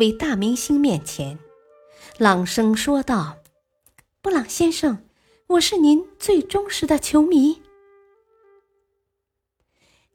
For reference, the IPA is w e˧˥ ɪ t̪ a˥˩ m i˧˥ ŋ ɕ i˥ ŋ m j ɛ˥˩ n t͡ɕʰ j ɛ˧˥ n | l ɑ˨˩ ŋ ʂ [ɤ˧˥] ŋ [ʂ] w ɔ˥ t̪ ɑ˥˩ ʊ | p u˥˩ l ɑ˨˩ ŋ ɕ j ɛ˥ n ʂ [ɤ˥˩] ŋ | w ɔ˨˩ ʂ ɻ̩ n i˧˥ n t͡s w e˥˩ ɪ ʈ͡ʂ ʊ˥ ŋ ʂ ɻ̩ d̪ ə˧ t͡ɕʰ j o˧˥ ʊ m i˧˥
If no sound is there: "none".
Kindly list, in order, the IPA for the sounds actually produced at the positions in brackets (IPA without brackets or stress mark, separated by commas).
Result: ɤ˥, ʂ, ɤ˥˩